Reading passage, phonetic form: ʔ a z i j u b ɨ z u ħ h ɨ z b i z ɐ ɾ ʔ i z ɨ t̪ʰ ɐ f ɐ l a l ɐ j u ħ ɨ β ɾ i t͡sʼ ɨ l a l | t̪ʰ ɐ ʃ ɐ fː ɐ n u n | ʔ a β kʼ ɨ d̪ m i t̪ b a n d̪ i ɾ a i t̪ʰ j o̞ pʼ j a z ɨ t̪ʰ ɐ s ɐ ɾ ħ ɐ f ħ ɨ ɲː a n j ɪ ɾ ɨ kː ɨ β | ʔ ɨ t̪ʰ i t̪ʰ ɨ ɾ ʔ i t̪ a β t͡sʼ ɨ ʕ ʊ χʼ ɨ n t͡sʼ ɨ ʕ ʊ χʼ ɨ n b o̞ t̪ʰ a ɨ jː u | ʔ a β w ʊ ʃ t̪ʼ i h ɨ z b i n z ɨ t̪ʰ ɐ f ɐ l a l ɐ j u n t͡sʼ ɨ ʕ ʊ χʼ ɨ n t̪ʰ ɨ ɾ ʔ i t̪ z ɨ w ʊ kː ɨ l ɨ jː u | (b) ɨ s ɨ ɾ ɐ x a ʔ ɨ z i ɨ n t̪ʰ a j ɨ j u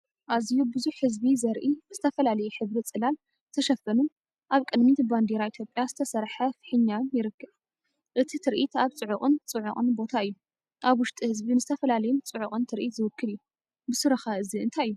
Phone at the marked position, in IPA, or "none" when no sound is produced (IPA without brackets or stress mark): b